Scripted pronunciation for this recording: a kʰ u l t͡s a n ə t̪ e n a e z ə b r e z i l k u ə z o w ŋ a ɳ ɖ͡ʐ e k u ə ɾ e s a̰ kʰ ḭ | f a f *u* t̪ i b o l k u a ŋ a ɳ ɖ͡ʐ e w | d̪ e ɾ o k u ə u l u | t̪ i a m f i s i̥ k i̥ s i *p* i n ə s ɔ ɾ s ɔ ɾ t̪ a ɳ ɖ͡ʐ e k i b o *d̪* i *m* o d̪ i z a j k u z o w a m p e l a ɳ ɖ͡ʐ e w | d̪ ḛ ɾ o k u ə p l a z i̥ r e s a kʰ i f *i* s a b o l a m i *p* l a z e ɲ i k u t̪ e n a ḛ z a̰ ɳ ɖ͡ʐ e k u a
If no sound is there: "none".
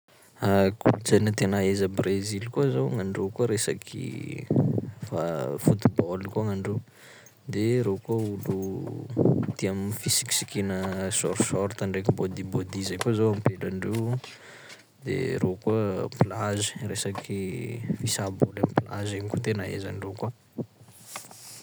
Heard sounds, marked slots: u, k, d̪, b, i, p

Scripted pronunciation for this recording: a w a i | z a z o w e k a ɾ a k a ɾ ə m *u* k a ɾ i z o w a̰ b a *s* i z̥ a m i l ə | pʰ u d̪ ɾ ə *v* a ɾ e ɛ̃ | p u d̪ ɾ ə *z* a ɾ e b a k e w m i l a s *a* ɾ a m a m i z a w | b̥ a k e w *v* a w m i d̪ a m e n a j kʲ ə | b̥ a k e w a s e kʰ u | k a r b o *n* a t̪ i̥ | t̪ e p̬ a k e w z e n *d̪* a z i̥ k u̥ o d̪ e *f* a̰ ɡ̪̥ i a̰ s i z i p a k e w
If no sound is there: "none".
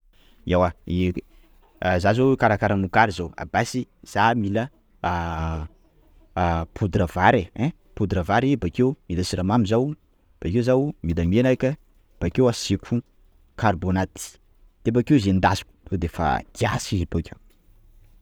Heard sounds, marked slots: u, s, v, v, i, z, n, d̪, f

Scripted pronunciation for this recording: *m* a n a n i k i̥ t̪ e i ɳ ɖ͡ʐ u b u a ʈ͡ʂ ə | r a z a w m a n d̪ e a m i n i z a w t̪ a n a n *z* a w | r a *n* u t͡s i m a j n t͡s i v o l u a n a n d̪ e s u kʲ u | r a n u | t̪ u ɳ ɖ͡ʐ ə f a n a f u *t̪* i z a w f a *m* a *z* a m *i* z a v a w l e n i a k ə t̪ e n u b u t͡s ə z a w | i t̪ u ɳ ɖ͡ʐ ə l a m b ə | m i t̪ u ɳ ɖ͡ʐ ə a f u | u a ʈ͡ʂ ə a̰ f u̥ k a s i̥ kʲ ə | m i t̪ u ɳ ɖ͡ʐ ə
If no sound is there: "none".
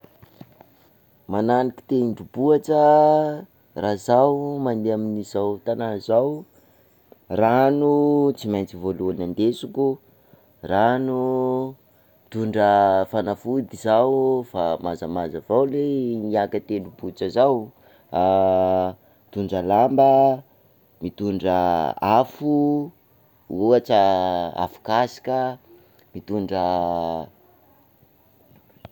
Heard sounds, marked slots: m, z, n, d̪, m, z, a

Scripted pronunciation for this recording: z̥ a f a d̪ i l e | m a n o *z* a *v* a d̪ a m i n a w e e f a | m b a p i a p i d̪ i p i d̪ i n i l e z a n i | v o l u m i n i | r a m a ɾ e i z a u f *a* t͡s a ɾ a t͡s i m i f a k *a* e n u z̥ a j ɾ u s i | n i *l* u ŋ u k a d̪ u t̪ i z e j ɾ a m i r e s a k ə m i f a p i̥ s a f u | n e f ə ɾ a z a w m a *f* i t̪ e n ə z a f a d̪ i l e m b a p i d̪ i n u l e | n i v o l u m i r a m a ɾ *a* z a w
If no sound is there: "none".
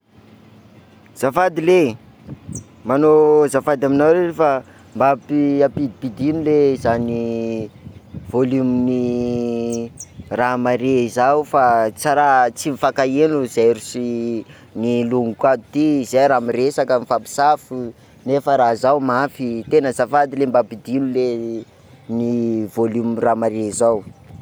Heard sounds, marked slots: z, f, a, a, l, f, e

